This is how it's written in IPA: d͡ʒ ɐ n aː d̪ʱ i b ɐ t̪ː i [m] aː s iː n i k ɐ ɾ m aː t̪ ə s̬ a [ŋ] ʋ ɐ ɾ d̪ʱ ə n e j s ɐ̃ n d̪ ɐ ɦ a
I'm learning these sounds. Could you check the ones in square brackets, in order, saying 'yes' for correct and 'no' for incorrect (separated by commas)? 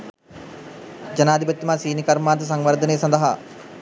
yes, yes